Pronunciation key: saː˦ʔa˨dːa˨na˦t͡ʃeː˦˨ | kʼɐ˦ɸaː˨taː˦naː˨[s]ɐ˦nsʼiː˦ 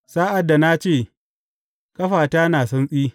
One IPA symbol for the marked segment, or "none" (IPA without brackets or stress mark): s